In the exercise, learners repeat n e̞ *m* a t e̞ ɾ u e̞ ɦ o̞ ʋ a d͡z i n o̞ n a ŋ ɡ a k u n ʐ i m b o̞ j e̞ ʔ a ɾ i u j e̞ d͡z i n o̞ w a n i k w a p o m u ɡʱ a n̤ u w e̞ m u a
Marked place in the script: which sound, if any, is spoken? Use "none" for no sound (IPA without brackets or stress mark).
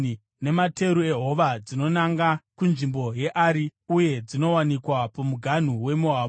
m